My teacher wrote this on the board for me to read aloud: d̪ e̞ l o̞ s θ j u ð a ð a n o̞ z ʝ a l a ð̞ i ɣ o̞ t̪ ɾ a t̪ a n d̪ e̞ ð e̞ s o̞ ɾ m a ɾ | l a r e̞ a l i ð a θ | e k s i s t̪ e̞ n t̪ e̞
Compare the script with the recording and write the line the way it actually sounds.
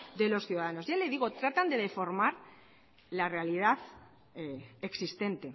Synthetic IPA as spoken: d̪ e̞ l o̞ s θ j u ð a ð a n o̞ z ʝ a l e ð̞ i ɣ o̞ t̪ ɾ a t̪ a n d̪ e̞ ð e̞ f o̞ ɾ m a ɾ | l a r e̞ a l i ð a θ | e k s i s t̪ e̞ n t̪ e̞